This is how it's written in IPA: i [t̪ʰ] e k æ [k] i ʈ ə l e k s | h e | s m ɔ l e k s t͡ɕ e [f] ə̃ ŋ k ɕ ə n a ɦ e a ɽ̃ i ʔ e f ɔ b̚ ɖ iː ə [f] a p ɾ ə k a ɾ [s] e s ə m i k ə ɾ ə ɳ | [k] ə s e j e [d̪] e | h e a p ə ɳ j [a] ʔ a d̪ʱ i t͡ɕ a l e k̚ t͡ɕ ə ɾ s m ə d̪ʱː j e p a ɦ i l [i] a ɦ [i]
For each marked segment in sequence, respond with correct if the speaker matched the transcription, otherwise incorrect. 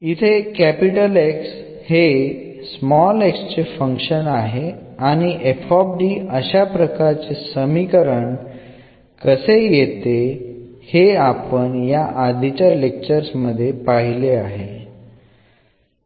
correct, incorrect: p, correct, incorrect: ɕ, incorrect: t͡s, correct, incorrect: t̪, correct, incorrect: e, incorrect: e

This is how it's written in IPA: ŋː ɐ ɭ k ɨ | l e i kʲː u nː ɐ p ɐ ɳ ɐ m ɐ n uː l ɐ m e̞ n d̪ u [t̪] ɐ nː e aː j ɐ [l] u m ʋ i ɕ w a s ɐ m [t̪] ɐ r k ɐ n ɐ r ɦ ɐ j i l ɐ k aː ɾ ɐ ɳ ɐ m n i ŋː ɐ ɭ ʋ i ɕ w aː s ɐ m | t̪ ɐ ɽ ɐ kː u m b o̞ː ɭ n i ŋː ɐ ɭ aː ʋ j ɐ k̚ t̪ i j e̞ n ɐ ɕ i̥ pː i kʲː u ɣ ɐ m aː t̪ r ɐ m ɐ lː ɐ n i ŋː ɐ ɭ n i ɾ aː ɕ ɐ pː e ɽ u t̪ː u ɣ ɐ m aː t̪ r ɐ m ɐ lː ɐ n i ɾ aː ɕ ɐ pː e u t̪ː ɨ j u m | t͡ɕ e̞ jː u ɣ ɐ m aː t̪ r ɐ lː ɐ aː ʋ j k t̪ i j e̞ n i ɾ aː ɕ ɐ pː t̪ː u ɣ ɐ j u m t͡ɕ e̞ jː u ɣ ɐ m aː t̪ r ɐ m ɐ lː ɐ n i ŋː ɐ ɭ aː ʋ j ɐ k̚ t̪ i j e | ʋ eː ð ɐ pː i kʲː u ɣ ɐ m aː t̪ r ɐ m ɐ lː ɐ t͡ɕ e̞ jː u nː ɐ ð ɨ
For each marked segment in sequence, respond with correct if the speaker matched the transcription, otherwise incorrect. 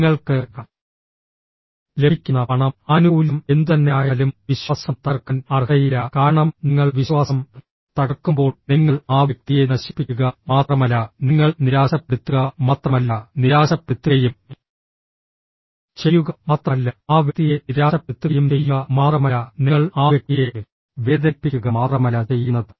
correct, correct, correct

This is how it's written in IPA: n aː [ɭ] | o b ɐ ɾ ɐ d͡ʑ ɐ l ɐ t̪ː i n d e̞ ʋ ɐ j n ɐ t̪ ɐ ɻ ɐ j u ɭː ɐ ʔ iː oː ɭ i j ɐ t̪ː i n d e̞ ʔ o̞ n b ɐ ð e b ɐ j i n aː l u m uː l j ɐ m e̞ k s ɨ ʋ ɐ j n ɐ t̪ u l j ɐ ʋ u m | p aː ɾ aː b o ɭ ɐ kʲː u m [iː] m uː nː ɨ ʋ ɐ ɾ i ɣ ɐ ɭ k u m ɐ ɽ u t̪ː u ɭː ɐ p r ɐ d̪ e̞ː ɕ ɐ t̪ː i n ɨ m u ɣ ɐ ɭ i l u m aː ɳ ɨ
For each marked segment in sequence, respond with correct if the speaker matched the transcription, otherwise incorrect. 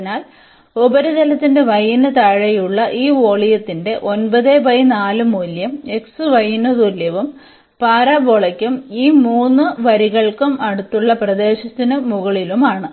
incorrect: l, correct

